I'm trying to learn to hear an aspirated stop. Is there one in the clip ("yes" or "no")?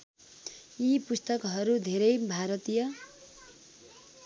no